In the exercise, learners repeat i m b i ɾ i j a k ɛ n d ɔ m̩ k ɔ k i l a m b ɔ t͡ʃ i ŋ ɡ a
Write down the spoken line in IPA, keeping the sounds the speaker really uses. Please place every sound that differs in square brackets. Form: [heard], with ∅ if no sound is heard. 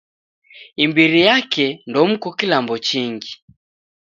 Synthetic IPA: i m b i ɾ i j a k ɛ n d ɔ m̩ k ɔ k i l a m b ɔ t͡ʃ i ŋ ɡ [i]

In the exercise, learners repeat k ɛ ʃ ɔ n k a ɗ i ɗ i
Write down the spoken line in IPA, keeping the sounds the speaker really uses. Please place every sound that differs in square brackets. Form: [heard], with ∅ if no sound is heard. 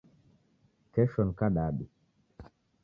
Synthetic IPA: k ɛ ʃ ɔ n k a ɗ [a] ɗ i

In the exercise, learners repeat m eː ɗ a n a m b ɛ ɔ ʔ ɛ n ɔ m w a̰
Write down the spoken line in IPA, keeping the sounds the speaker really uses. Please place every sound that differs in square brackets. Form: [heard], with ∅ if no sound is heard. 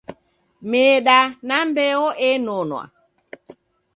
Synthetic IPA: m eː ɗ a n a m b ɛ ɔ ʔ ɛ n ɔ [n] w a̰

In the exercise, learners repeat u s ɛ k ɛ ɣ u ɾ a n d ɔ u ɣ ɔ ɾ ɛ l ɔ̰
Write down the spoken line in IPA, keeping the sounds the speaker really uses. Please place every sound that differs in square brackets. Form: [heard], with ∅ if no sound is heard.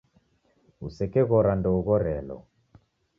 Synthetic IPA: u s ɛ k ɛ ɣ [ɔ] ɾ a n d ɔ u ɣ ɔ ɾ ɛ l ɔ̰

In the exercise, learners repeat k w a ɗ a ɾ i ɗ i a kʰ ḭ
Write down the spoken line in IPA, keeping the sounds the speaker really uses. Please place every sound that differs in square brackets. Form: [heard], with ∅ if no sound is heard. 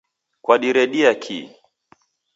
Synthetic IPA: k w a ɗ [i] ɾ [ɛ] ɗ i a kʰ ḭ

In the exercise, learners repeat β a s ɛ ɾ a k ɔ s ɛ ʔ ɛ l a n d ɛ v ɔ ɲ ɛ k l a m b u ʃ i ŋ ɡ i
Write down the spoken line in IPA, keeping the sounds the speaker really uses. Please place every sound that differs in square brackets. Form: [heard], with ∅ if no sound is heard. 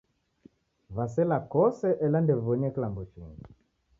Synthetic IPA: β a s ɛ [l] a k ɔ s ɛ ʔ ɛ l a n d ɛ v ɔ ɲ ɛ k l a m b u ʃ i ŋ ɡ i

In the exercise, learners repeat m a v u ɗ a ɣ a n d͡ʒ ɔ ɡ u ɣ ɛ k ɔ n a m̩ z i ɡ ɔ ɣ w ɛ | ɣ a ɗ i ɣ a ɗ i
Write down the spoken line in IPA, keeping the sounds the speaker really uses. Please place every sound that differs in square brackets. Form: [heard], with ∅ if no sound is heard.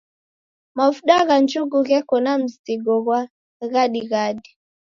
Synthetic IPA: m a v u ɗ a ɣ a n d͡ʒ [u] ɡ u ɣ ɛ k ɔ n a m̩ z i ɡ ɔ ɣ w [a] | ɣ a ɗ i ɣ a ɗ i

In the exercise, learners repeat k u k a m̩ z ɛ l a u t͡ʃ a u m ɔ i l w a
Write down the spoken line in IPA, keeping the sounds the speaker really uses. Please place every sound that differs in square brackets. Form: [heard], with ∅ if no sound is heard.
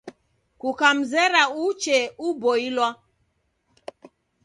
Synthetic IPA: k u k a m̩ z ɛ [ɾ] a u t͡ʃ [ɛ] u [b] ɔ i l w a

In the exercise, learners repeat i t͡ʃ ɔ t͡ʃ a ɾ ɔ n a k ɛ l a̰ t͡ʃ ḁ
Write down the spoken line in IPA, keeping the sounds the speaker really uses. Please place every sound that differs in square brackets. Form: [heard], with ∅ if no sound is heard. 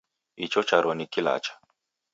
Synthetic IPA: i t͡ʃ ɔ t͡ʃ a ɾ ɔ n [i] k [i] l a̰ t͡ʃ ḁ

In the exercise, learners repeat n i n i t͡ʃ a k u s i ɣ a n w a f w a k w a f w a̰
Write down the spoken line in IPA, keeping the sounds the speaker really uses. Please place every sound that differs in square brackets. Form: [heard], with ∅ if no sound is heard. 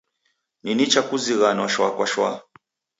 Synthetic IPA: n i n i t͡ʃ a k u [z] i ɣ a n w a [ʃ] w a k w a [ʃ] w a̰

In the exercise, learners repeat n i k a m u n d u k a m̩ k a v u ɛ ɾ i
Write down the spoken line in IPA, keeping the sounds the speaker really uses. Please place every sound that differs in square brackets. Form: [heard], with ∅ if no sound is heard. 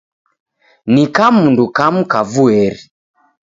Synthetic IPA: n i k a m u n d u k a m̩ k a v u ɛ ɾ i

